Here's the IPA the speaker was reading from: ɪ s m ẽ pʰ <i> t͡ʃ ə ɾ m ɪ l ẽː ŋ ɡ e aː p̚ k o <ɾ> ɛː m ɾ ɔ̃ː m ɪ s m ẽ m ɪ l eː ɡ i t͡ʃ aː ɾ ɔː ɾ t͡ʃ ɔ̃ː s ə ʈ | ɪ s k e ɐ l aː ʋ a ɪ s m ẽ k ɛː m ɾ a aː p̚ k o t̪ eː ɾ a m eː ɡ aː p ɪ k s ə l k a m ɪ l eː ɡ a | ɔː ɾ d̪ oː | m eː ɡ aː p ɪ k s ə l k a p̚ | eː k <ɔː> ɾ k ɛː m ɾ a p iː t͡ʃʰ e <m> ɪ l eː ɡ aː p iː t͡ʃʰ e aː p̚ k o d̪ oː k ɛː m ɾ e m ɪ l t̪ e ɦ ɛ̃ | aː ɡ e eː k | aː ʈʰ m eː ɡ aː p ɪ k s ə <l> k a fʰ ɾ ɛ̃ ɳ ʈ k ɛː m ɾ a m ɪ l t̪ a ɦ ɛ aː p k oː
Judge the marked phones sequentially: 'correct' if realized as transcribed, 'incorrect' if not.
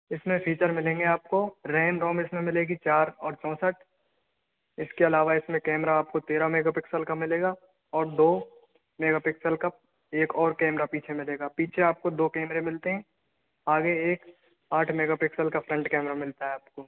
incorrect, correct, correct, correct, correct

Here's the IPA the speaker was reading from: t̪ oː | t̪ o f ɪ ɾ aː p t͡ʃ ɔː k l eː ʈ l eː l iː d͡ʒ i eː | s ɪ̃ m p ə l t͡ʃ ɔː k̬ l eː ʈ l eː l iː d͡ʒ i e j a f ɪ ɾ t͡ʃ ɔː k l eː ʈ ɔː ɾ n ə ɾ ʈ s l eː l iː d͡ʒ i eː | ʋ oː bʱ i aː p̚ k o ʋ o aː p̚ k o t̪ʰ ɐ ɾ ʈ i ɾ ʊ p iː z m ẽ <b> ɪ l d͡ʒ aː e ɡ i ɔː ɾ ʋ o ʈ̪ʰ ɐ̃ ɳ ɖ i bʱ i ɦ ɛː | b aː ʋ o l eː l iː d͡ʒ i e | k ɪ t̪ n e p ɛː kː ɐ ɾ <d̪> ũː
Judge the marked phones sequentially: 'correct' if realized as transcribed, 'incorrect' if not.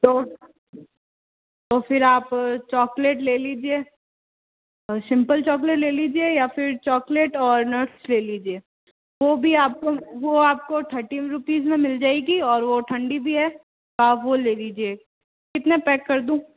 incorrect, correct

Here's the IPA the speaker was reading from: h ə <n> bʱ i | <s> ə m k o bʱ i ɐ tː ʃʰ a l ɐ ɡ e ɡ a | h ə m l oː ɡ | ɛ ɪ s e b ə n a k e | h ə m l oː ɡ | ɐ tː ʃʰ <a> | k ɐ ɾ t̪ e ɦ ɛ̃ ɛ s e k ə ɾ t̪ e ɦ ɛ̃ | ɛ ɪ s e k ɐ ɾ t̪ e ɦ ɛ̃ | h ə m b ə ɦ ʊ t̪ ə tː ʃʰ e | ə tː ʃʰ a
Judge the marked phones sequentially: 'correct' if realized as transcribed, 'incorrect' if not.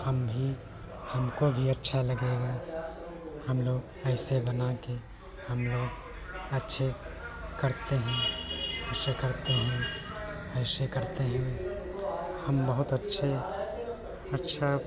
incorrect, incorrect, incorrect

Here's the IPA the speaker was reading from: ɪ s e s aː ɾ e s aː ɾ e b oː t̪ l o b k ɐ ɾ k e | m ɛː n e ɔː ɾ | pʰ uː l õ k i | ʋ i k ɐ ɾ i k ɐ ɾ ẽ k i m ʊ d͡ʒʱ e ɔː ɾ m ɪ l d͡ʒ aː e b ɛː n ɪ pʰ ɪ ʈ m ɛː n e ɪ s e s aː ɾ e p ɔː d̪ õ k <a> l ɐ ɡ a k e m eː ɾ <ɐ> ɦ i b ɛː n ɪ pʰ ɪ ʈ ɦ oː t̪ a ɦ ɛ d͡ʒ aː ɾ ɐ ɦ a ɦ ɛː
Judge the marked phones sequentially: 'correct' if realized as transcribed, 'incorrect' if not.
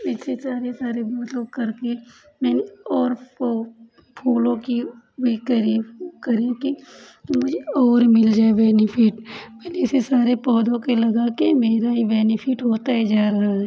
incorrect, incorrect

